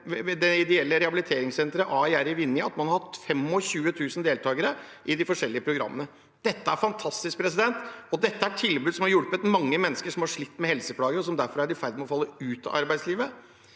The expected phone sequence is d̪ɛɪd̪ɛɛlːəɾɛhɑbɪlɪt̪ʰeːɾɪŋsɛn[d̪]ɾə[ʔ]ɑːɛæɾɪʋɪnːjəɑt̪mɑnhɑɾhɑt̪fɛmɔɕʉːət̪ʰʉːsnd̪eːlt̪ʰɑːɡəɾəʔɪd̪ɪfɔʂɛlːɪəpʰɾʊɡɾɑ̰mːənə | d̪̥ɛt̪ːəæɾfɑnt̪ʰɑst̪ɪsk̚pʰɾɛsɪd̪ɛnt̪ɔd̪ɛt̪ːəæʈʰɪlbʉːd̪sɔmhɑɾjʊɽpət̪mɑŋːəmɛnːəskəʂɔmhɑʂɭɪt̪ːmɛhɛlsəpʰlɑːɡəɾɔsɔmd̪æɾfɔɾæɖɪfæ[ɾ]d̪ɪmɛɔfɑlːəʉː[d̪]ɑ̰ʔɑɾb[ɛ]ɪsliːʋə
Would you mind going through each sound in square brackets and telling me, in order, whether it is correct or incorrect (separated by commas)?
incorrect, correct, correct, incorrect, incorrect